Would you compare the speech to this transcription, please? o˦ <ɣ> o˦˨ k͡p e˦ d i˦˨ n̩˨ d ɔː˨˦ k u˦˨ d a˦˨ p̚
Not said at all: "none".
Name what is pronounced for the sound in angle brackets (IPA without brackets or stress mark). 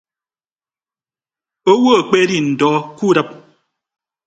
w